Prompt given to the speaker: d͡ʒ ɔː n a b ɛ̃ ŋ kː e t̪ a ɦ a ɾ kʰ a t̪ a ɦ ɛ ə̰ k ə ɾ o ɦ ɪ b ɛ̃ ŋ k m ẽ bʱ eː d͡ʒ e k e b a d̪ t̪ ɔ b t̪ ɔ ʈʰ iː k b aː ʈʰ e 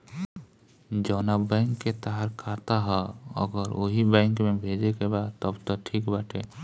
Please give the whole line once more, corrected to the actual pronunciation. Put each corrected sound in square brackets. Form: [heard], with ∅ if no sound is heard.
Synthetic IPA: d͡ʒ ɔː n a b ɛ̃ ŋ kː e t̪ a ɦ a ɾ kʰ a t̪ a ɦ ɛ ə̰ [ɡ] ə ɾ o ɦ [i] b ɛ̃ ŋ k m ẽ bʱ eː d͡ʒ e k e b a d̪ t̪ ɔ b t̪ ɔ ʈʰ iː k b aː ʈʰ e